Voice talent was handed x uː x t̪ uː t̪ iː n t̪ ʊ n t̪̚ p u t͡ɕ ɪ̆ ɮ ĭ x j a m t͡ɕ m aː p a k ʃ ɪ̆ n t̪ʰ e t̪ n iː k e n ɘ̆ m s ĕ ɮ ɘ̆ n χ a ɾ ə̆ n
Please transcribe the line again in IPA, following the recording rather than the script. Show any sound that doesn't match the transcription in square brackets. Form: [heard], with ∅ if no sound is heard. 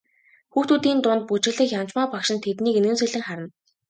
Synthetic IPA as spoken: x uː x t̪ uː t̪ iː n t̪ ʊ n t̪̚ p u t͡ɕ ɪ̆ ɮ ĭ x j a m t͡ɕ m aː p a k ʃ ɪ̆ n t̪ʰ e t̪ n iː k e n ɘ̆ [n] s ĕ ɮ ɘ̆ [ŋ] χ a ɾ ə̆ n

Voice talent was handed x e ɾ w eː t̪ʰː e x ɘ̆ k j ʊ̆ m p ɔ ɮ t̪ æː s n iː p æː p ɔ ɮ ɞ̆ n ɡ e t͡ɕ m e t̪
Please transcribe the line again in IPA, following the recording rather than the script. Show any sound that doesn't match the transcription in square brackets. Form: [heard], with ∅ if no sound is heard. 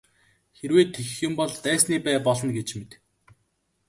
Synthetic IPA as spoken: x e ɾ w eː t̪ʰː e x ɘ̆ [x] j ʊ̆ m p ɔ ɮ t̪ æː s n iː p æː p ɔ ɮ ɞ̆ n ɡ e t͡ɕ m e t̪

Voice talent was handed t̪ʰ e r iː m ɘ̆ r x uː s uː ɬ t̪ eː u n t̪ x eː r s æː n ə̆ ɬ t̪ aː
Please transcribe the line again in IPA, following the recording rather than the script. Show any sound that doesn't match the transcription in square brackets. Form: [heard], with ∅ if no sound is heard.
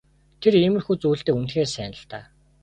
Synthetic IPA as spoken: t̪ʰ e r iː m ɘ̆ r x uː [t͡s] uː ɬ t̪ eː u n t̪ x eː r s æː n ə̆ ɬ t̪ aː

